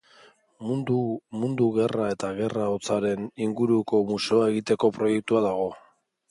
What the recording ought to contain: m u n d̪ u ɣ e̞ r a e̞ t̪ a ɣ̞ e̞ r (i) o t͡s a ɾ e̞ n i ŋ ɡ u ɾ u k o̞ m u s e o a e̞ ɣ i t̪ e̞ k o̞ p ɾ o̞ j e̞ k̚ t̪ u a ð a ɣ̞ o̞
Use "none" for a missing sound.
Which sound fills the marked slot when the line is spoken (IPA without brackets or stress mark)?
a